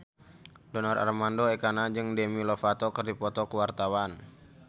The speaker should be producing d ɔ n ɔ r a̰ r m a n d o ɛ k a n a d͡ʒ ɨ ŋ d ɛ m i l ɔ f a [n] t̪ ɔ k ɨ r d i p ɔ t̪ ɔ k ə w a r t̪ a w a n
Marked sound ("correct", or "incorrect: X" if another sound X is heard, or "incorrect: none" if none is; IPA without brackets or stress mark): incorrect: none